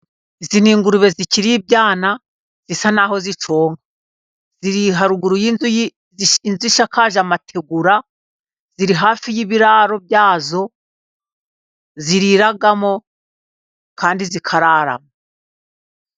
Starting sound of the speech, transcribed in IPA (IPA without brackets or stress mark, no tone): i